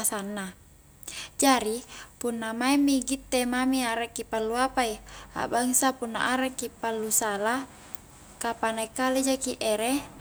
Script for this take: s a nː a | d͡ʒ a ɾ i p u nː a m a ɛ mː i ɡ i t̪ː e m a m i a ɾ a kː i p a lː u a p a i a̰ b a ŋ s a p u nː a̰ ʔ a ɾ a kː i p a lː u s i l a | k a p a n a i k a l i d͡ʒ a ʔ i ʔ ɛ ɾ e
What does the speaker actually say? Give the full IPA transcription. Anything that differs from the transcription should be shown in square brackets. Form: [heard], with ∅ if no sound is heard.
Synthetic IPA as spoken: s a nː a | d͡ʒ a ɾ i p u nː a m a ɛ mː i ɡ i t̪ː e m a m i a ɾ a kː i p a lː u a p a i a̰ b a ŋ s a p u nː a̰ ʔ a ɾ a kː i p a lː u s [a] l a | k a p a n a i k a l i d͡ʒ a [k] i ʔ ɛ ɾ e